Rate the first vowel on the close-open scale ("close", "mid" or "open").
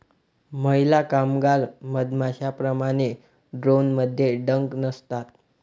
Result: mid